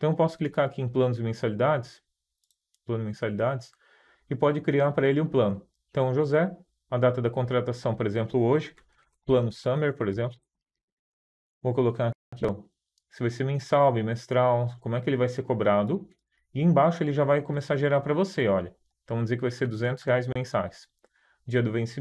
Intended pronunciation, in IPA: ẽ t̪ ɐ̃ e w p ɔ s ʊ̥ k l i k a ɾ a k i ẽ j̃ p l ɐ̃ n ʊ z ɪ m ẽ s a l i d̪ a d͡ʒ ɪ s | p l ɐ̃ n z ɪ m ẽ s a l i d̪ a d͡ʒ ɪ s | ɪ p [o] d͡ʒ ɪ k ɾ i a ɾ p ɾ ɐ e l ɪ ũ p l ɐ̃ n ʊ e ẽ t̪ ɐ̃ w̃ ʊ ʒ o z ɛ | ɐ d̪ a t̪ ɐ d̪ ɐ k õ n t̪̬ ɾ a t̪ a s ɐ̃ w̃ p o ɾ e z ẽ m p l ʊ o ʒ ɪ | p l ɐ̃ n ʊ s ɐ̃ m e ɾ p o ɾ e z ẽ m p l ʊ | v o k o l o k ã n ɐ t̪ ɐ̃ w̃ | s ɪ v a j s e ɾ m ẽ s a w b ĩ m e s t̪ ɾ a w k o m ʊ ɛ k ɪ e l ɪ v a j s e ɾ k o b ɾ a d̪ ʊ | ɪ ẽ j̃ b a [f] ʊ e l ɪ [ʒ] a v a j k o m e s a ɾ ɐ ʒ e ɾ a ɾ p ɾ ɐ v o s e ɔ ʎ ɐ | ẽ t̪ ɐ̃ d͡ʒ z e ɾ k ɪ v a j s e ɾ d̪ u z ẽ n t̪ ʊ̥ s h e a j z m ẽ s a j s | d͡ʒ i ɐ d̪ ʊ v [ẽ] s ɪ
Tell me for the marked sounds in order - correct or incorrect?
incorrect, incorrect, correct, correct

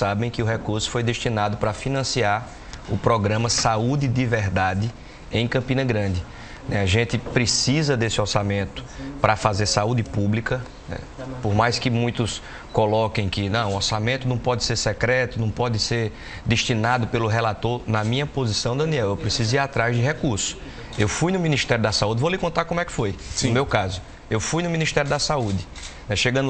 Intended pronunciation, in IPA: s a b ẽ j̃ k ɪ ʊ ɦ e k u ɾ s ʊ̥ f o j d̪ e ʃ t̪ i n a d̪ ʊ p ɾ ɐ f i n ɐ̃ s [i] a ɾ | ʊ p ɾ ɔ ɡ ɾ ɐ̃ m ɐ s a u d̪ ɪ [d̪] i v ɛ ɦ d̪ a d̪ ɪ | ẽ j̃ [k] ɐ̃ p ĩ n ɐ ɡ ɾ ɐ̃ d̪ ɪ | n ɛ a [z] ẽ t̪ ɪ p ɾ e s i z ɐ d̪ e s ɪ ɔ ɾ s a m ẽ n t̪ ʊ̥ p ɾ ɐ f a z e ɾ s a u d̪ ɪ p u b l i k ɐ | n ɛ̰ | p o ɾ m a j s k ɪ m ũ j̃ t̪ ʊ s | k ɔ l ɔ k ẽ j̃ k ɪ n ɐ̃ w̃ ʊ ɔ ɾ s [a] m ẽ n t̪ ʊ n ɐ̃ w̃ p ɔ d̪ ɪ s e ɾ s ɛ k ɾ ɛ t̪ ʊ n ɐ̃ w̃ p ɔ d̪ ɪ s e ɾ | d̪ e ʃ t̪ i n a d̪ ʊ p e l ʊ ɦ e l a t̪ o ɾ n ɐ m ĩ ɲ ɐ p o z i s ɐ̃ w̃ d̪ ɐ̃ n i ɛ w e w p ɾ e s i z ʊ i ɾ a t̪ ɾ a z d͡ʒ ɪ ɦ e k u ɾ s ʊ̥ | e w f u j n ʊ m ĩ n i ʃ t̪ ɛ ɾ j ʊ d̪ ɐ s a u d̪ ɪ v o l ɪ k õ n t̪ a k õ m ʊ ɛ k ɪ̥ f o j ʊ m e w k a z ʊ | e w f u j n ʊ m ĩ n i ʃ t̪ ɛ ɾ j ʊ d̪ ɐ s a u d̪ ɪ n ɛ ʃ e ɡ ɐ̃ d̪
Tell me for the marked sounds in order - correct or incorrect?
correct, correct, correct, incorrect, correct

